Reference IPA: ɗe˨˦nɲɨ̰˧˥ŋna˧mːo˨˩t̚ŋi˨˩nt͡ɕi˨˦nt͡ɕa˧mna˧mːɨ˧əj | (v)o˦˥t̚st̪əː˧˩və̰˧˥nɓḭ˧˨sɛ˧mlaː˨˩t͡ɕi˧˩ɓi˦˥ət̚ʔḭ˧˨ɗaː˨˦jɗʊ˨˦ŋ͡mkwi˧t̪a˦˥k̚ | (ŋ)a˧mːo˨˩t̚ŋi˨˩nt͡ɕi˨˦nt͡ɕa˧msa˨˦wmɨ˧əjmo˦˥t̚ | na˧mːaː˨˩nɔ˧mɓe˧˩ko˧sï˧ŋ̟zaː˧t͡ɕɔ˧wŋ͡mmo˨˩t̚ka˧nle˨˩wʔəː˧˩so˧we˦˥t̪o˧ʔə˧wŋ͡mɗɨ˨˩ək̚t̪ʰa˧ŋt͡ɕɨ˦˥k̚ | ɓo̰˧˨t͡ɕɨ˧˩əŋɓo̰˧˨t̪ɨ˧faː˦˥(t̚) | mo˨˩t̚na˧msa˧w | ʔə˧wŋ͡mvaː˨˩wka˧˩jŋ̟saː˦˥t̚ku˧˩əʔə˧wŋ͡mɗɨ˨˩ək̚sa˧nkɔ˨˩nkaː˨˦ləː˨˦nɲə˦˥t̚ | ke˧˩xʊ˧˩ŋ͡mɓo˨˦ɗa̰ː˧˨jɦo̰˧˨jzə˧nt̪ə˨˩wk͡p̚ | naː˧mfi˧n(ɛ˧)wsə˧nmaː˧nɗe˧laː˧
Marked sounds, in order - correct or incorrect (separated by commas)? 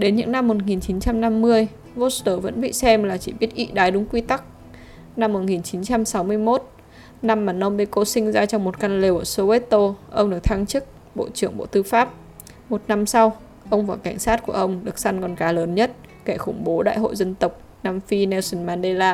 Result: correct, incorrect, incorrect, correct